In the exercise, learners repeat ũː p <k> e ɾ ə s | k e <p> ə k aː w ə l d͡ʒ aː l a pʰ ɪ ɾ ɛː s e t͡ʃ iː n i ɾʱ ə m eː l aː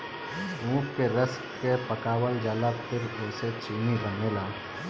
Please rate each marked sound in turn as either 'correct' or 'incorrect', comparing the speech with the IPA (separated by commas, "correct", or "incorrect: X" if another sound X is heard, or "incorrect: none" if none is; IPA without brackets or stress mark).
correct, correct